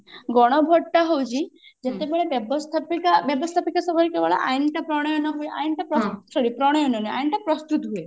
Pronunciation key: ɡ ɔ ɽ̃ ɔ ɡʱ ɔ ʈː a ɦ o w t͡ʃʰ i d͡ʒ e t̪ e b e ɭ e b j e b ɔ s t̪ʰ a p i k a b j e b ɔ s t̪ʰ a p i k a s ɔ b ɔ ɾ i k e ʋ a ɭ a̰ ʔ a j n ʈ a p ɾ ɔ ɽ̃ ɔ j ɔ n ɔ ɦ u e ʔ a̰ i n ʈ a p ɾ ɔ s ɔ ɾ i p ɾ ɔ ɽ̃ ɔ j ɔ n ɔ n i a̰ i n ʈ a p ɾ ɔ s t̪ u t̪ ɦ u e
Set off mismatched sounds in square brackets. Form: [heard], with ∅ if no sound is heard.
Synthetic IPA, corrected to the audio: ɡ ɔ ɽ̃ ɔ [bʱ] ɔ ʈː a ɦ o w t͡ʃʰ i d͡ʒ e t̪ e b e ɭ e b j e b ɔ s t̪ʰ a p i k a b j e b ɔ s t̪ʰ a p i k a s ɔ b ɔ ɾ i k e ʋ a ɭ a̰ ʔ a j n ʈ a p ɾ ɔ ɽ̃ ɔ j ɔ n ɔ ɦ u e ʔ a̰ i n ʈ a p ɾ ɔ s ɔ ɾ i p ɾ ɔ ɽ̃ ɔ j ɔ n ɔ n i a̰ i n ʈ a p ɾ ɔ s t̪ u t̪ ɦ u e